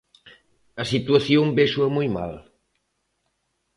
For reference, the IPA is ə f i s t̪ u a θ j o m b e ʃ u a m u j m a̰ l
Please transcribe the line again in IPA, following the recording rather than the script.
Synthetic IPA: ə s i t̪ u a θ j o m b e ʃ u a m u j m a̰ l